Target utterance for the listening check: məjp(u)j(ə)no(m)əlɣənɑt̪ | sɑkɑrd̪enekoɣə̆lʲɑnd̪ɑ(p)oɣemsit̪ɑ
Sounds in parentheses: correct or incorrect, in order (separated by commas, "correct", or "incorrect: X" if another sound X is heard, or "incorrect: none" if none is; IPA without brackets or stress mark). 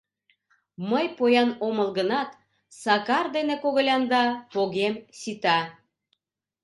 incorrect: o, incorrect: ɑ, correct, correct